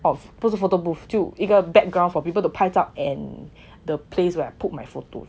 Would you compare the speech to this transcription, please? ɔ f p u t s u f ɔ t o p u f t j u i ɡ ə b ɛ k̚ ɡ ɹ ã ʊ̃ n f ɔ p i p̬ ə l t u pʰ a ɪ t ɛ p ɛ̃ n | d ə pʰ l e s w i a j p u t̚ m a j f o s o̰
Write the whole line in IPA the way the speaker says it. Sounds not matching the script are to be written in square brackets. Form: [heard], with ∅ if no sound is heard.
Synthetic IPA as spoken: ɔ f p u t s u f [o] t o [b] u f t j u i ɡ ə b ɛ k̚ ɡ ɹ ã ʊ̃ n f ɔ p i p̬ ə l t u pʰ a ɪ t [a] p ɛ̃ n | d ə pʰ l e s w [ɛ] a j p u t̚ m a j f o [t] o̰